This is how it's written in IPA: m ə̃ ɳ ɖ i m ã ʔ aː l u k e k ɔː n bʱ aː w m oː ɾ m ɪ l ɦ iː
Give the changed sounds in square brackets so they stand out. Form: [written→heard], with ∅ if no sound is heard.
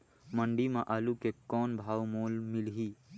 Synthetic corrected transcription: m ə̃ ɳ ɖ i m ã ʔ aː l u k e k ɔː n bʱ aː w m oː [ɾ→l] m ɪ l ɦ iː